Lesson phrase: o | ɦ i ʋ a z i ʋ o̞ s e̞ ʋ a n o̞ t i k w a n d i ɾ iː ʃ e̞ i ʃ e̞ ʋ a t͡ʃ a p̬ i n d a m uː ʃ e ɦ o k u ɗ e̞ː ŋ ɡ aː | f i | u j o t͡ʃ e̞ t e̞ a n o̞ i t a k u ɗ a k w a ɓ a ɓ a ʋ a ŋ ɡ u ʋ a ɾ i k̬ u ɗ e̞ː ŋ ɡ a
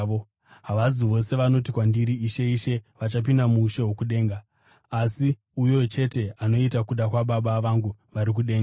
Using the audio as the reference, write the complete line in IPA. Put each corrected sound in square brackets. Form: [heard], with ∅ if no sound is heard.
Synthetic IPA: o | ɦ [a] ʋ a z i ʋ o̞ s e̞ ʋ a n o̞ t i k w a n d i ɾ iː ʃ e̞ i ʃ e̞ ʋ a t͡ʃ a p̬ i n d a m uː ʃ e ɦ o k u ɗ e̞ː ŋ ɡ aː | [s] i | u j o t͡ʃ e̞ t e̞ a n o̞ i t a k u ɗ a k w a ɓ a ɓ a ʋ a ŋ ɡ u ʋ a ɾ i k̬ u ɗ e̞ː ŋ ɡ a